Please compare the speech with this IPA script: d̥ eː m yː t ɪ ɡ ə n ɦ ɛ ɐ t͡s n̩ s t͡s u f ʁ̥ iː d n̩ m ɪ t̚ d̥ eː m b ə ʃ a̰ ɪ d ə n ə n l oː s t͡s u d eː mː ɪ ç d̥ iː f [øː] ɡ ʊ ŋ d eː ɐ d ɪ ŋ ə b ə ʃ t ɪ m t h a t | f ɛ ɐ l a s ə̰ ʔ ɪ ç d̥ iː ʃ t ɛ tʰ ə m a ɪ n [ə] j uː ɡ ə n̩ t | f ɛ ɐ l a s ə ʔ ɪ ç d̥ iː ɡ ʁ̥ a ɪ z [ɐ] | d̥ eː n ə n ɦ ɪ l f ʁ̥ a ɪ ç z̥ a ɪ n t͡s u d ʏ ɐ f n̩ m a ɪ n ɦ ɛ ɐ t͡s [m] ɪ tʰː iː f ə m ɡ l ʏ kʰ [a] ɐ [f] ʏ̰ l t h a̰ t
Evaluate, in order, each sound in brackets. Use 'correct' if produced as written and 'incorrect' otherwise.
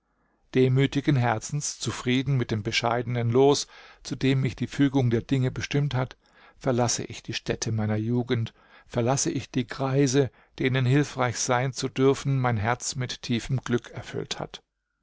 incorrect: yː, incorrect: ɐ, incorrect: ə, correct, incorrect: ɛ, correct

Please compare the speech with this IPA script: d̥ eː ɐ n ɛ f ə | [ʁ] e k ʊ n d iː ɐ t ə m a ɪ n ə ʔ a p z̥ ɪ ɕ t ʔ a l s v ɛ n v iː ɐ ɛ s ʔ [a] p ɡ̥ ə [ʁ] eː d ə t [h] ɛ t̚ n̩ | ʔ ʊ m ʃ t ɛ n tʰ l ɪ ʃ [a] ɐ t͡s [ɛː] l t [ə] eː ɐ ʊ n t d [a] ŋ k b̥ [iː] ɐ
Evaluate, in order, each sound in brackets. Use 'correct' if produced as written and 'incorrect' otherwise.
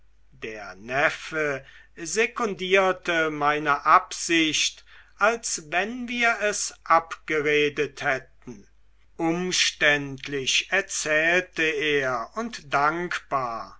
incorrect: z, correct, correct, correct, incorrect: ɛ, correct, correct, correct, incorrect: aː

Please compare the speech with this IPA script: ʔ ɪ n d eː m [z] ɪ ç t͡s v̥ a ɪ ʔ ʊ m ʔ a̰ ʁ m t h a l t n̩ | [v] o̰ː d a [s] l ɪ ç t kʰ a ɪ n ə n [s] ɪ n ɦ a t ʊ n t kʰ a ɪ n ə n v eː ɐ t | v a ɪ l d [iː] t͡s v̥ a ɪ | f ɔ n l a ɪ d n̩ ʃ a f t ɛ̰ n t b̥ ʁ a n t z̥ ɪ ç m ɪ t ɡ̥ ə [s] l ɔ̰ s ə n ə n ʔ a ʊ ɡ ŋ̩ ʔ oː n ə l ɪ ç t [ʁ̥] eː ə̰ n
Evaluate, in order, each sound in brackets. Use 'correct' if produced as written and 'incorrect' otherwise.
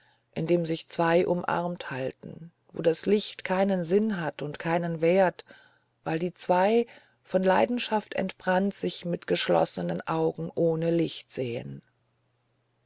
correct, correct, correct, incorrect: z, correct, incorrect: ʃ, incorrect: z̥

